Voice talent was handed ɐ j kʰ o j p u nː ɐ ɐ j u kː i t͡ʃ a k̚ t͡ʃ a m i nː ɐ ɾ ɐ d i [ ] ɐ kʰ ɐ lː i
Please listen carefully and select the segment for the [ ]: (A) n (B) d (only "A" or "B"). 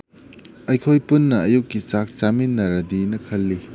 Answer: A